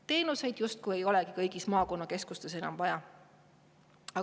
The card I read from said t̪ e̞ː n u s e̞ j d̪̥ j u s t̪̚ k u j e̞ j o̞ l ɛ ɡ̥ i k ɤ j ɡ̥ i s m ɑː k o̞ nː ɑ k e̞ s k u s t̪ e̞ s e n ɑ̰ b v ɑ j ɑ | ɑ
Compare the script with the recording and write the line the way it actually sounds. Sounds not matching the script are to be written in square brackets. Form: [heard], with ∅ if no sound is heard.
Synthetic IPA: t̪ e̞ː n u s e̞ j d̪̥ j u s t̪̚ k u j e̞ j o̞ l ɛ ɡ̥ i k ɤ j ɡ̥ i s m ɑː k o̞ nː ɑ k e̞ s k u s t̪ e̞ s e n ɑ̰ [m] v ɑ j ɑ | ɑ